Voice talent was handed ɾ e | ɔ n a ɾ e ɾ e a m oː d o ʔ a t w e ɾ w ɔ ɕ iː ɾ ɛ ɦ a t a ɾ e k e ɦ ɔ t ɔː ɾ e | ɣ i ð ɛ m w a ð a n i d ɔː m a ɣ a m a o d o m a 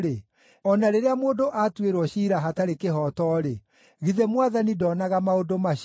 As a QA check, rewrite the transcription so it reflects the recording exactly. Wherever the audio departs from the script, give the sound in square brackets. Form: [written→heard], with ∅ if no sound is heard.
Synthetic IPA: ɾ e | ɔ n a ɾ e ɾ e a m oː d o ʔ a t w e ɾ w ɔ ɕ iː ɾ [ɛ→a] ɦ a t a ɾ e k e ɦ ɔ t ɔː ɾ e | ɣ i ð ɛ m w a ð a n i d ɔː [m→n] a ɣ a m a o d o m a